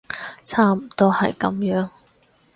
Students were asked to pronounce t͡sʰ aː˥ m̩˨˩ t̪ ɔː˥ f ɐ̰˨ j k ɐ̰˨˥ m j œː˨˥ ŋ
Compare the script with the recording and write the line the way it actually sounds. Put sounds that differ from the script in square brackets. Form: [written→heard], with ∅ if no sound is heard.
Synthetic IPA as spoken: t͡sʰ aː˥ m̩˨˩ t̪ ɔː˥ [f→h] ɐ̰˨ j k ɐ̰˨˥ m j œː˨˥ ŋ